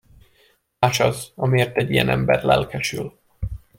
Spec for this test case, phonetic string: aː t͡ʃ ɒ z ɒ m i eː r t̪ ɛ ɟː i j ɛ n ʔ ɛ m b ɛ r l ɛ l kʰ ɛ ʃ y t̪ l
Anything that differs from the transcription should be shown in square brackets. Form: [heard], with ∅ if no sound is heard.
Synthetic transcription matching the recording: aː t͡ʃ ɒ z ɒ m i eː r t̪ ɛ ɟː i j ɛ n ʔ ɛ m b ɛ r l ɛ l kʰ ɛ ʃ y [∅] l